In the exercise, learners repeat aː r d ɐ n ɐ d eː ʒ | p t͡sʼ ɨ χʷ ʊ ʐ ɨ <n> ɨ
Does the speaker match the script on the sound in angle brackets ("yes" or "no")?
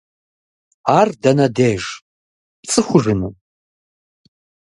yes